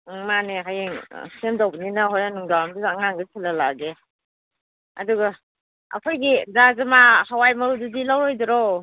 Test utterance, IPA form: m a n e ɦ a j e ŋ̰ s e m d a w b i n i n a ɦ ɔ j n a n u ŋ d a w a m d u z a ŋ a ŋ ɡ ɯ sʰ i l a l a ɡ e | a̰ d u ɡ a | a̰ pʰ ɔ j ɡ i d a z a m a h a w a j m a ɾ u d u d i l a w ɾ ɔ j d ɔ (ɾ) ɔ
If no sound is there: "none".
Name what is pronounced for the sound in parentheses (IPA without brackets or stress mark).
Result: ɾ